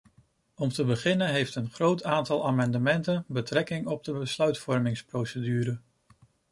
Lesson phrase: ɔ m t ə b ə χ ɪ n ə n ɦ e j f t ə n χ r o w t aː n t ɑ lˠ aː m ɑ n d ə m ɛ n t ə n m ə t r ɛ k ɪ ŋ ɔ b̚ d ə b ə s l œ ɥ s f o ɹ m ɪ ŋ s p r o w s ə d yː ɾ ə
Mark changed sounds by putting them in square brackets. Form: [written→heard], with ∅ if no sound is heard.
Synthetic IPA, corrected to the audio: ɔ m t ə b ə χ ɪ n ə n ɦ e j f t ə n χ r o w t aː n t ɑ lˠ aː m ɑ n d ə m ɛ n t ə n [m→b] ə t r ɛ k ɪ ŋ ɔ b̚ d ə b ə s l œ ɥ [s→t] f [o→ɔ] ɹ m ɪ ŋ s p r o w s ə d yː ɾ ə